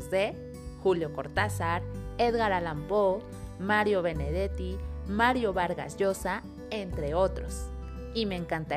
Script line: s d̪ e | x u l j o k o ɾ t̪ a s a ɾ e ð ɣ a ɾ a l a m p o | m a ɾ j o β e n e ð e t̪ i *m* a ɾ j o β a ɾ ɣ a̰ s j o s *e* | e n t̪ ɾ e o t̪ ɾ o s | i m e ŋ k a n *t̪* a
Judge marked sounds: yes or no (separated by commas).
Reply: yes, no, yes